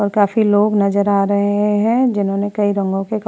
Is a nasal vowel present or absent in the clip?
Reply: present